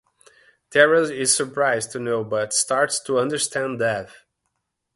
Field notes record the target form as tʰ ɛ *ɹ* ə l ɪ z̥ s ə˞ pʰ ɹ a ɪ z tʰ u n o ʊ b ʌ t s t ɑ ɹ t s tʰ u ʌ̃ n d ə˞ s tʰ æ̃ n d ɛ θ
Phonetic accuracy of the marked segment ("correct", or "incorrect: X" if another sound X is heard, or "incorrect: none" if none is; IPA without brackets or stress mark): correct